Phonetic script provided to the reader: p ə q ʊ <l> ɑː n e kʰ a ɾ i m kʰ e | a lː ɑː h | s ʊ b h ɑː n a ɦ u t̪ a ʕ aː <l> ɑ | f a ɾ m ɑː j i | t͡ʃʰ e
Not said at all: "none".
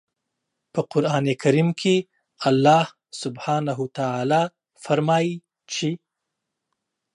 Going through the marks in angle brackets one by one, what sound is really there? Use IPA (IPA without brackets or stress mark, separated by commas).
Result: ɾ, l